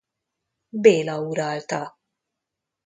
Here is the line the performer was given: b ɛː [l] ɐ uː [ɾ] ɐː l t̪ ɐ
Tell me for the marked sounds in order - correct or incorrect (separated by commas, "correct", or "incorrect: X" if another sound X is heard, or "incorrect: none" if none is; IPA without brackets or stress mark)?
correct, correct